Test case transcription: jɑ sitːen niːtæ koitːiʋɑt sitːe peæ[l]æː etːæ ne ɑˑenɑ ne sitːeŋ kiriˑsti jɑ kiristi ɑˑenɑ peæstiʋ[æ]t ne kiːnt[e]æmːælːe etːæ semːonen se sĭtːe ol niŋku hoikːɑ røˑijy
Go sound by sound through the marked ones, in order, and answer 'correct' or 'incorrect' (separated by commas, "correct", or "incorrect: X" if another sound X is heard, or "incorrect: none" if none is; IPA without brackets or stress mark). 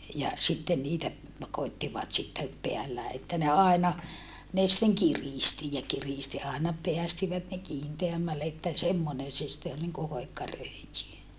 incorrect: lː, correct, correct